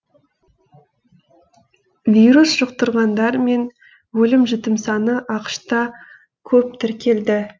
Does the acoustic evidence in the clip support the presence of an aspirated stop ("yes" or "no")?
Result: yes